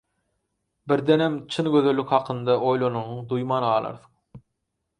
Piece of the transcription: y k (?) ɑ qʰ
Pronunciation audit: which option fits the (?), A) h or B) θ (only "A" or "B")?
A